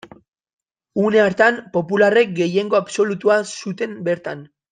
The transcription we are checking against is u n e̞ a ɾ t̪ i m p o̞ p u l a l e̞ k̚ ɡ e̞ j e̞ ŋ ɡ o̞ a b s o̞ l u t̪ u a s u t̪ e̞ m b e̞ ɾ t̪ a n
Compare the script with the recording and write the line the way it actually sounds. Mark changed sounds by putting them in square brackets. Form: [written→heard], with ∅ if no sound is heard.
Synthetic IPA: u n e̞ a ɾ t̪ [i→a] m p o̞ p u l a [l→r] e̞ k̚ ɡ e̞ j e̞ ŋ ɡ o̞ a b s o̞ l u t̪ u a s u t̪ e̞ m b e̞ ɾ t̪ a n